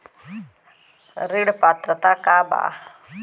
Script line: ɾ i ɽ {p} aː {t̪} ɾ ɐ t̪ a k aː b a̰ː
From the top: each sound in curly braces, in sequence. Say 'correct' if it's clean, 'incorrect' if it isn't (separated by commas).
correct, correct